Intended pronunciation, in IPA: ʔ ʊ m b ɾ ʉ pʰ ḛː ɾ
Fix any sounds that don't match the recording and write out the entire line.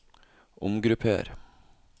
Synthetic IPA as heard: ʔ ʊ m ɡ ɾ ʉ pʰ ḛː ɾ